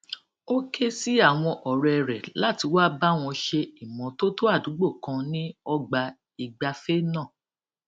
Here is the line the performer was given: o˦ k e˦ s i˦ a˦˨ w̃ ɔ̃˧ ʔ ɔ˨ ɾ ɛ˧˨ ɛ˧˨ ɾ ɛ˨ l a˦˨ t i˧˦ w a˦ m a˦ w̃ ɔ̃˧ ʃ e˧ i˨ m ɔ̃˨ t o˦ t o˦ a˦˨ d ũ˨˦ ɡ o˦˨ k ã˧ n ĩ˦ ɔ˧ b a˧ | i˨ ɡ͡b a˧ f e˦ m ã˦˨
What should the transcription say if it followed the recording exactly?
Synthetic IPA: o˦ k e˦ s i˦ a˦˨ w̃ ɔ̃˧ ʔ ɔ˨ ɾ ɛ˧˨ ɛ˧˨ ɾ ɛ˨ l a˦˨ t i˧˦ w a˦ b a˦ w̃ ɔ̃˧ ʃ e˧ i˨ m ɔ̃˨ t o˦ t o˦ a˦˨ d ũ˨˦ ɡ͡b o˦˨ k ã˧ n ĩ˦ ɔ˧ ɡ͡b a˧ | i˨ ɡ͡b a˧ f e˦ n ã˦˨